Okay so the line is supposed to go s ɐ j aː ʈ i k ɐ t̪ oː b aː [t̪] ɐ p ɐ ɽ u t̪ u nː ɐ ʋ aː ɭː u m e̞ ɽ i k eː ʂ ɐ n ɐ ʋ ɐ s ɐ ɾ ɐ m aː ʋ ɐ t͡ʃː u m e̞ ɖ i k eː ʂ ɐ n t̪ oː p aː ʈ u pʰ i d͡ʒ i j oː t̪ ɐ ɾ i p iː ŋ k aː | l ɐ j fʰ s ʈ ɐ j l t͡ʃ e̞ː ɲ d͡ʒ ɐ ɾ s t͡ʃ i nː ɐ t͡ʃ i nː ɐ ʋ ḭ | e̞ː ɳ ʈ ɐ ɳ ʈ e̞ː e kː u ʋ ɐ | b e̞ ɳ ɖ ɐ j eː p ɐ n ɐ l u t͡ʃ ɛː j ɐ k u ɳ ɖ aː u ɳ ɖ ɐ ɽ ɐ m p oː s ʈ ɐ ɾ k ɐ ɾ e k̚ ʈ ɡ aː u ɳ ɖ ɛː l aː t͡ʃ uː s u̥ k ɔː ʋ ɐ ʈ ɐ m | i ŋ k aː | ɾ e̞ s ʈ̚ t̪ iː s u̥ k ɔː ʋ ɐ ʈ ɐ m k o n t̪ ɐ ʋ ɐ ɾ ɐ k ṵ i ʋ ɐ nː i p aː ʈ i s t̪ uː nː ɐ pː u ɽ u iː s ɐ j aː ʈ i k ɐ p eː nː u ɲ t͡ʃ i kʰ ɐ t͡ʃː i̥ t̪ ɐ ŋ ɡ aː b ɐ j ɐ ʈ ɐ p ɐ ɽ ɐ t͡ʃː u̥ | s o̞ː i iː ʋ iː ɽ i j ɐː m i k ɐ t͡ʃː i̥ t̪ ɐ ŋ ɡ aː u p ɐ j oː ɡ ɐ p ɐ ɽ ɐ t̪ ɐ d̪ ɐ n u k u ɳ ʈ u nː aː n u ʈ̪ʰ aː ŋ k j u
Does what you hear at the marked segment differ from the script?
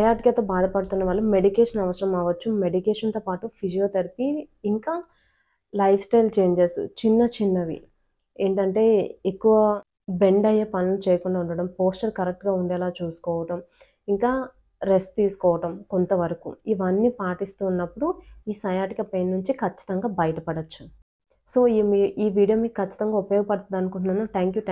yes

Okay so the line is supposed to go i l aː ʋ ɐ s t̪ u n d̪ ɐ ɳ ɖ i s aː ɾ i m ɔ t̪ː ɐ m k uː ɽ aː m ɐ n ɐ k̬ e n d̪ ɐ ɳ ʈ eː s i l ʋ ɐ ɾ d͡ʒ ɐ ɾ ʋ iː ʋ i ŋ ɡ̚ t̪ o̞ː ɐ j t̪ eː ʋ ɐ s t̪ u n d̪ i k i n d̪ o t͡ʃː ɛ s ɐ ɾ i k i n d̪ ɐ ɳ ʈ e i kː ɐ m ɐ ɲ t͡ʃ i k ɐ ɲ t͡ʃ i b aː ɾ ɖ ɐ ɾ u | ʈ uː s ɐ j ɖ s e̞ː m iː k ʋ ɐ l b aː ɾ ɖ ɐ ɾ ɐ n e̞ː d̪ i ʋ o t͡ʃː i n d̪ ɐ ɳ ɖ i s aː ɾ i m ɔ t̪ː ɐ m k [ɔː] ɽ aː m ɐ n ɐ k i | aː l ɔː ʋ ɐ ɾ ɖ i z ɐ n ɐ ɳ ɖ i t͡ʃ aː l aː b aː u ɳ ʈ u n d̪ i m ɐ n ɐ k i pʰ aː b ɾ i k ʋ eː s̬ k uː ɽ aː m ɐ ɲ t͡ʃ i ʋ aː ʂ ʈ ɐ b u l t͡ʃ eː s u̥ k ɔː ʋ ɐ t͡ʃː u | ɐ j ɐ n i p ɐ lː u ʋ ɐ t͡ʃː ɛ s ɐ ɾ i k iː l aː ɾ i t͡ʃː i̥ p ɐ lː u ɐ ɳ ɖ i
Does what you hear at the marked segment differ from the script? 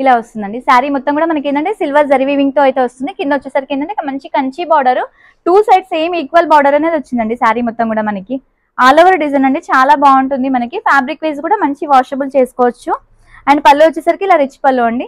yes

